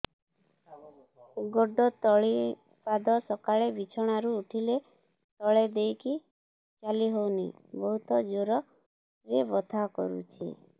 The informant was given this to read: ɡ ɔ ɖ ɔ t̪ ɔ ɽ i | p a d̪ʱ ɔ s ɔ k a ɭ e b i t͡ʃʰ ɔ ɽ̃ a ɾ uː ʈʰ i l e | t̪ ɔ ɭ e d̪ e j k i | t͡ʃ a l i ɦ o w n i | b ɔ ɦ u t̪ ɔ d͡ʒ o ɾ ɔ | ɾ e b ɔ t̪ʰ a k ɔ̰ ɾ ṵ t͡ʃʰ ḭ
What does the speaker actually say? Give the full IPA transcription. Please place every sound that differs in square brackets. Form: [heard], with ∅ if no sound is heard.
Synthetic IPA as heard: ɡ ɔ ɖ ɔ t̪ ɔ [ɭ] i | p a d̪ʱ ɔ s ɔ k a ɭ e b i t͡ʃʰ ɔ ɽ̃ a ɾ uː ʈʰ i l e | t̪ ɔ ɭ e d̪ e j k i | t͡ʃ a l i ɦ o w n i | b ɔ ɦ u t̪ ɔ d͡ʒ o ɾ ɔ | ɾ e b ɔ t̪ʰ a k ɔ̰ ɾ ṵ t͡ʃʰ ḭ